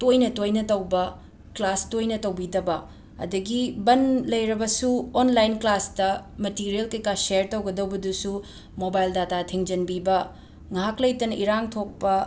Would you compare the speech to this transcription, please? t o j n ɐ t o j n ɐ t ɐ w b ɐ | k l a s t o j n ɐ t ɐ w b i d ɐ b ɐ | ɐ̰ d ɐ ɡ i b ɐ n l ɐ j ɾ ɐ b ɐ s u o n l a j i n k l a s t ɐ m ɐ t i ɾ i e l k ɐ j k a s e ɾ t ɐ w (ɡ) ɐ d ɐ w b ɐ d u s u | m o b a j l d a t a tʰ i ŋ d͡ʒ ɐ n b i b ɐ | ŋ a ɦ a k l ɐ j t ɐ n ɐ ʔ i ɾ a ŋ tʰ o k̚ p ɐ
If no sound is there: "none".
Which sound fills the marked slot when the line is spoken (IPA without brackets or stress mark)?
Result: ɡ